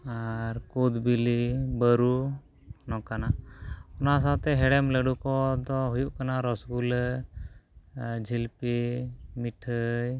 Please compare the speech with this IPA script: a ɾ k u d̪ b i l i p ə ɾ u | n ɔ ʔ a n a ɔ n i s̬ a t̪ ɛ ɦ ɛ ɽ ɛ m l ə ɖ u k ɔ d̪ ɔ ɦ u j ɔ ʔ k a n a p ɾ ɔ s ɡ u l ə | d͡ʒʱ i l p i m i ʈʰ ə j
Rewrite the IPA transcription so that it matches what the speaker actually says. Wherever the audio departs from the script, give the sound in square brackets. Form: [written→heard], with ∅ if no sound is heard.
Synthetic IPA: a ɾ k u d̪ b i l i [p→b] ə ɾ u | n ɔ [ʔ→k] a n a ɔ n [i→a] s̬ a t̪ ɛ ɦ ɛ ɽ ɛ m l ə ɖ u k ɔ d̪ ɔ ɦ u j [ɔ→u] ʔ k a n a [p→∅] ɾ ɔ s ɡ u l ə | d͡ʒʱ i l p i m i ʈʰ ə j

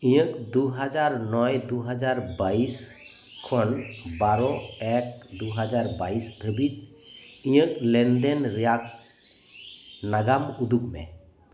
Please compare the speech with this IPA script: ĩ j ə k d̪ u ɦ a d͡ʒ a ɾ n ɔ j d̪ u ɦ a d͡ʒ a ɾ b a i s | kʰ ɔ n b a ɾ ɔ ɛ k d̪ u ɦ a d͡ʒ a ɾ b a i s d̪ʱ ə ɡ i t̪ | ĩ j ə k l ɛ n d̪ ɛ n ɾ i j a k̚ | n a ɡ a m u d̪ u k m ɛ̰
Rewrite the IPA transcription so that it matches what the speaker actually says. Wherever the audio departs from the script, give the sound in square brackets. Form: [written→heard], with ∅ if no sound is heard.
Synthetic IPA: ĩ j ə k d̪ u ɦ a d͡ʒ a ɾ n ɔ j d̪ u ɦ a d͡ʒ a ɾ b a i s | kʰ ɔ n b a ɾ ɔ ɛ k d̪ u ɦ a d͡ʒ a ɾ b a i s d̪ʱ ə [ɡ→b] i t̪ | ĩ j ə k l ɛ n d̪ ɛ n ɾ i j a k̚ | n a ɡ a m u d̪ u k m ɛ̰

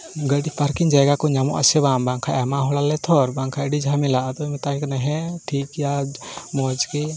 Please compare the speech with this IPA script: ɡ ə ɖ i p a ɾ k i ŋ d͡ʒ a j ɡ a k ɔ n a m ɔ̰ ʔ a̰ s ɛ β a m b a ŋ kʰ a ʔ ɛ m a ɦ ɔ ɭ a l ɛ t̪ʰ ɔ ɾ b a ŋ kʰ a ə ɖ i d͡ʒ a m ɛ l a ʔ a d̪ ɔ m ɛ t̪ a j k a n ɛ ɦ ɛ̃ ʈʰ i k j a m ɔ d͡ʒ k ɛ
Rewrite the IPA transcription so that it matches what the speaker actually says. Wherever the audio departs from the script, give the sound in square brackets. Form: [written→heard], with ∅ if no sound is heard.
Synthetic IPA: ɡ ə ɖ i p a ɾ k i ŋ d͡ʒ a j ɡ a k ɔ [n→ɲ] a m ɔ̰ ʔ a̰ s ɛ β a m b a ŋ kʰ a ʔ ɛ m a ɦ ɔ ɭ a l ɛ t̪ʰ ɔ ɾ b a ŋ kʰ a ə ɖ i d͡ʒ a m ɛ l a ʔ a d̪ ɔ m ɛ t̪ a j k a n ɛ ɦ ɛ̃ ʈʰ i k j a m ɔ d͡ʒ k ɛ

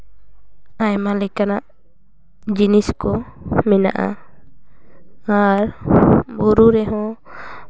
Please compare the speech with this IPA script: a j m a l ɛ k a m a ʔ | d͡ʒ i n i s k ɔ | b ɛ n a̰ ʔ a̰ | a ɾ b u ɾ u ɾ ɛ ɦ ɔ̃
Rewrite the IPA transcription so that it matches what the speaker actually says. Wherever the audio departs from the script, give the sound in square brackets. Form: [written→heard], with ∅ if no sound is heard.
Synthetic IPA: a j m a l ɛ k a [m→n] a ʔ | d͡ʒ i n i s k ɔ | [b→m] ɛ n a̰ ʔ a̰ | a ɾ b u ɾ u ɾ ɛ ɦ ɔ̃

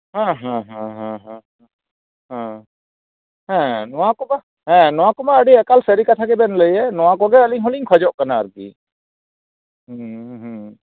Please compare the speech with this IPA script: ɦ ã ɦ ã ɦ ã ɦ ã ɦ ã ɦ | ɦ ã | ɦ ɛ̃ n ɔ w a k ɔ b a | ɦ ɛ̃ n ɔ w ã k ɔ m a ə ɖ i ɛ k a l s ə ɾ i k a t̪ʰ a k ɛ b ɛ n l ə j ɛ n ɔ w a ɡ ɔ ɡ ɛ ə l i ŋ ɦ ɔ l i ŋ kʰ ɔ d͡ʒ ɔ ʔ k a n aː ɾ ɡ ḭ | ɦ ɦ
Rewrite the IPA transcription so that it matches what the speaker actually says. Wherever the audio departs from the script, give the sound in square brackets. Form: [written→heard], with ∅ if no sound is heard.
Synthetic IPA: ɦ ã ɦ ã ɦ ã ɦ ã ɦ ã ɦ | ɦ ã | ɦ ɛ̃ n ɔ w a k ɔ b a | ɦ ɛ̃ n ɔ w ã k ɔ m a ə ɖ i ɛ k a l s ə ɾ i k a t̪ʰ a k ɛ b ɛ n l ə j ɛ n ɔ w a [ɡ→k] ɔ ɡ ɛ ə l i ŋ ɦ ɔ l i ŋ kʰ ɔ d͡ʒ ɔ ʔ k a n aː ɾ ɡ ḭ | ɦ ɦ

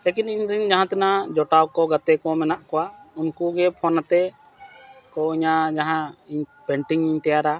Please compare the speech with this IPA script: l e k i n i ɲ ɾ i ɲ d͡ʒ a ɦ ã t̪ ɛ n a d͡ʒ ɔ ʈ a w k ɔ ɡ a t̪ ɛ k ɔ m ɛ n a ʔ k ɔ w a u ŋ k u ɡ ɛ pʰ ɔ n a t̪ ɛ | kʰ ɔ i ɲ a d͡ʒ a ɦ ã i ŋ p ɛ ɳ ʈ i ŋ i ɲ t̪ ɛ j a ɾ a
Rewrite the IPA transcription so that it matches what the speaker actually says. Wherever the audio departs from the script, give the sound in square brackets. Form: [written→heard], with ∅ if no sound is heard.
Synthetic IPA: l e k i n i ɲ ɾ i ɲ d͡ʒ a ɦ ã t̪ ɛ n a d͡ʒ ɔ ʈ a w k ɔ ɡ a t̪ ɛ k ɔ m ɛ n a ʔ k ɔ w a u [ŋ→n] k u ɡ ɛ pʰ ɔ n a t̪ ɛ | [kʰ→k] ɔ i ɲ a d͡ʒ a ɦ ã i [ŋ→ɲ] p ɛ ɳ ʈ i ŋ i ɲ t̪ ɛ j a ɾ a

